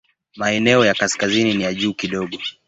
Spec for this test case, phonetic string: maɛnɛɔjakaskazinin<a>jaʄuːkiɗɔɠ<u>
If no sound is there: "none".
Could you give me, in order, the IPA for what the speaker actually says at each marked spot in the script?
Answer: i, ɔ

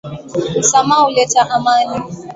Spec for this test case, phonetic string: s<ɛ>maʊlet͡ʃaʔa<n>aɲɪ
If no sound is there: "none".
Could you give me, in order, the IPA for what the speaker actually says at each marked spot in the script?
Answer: a, m

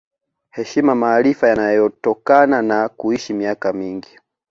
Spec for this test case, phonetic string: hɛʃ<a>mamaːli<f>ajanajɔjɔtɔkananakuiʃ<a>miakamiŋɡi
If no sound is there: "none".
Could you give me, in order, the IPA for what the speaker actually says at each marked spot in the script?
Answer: i, f, i

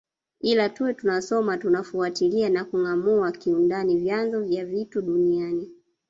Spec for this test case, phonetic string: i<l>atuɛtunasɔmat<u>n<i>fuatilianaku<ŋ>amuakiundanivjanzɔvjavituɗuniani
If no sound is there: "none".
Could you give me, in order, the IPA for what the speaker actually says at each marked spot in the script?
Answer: l, u, a, ŋ

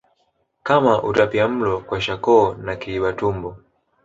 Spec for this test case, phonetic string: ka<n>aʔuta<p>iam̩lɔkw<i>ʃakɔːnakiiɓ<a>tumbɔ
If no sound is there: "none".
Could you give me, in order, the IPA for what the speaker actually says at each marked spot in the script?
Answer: m, p, a, a

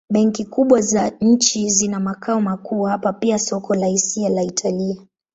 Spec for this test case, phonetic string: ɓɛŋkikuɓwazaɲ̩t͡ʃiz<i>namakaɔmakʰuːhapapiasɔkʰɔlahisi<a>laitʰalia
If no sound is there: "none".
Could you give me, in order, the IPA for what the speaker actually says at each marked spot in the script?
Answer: i, a

